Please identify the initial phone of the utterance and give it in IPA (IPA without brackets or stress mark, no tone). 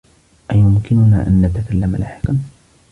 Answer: ʔ